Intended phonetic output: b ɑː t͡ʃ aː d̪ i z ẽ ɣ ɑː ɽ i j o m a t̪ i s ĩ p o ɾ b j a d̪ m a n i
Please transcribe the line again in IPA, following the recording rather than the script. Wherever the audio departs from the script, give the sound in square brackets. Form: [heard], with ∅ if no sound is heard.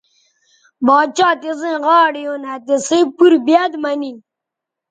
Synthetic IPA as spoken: b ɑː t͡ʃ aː [t̪] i z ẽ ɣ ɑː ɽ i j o [n] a t̪ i s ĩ p [u] ɾ b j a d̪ m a n i